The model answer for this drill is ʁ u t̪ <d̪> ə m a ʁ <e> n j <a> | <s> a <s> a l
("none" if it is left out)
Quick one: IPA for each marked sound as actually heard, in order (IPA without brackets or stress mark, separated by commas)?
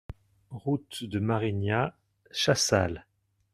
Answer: d̪, i, a, ʃ, s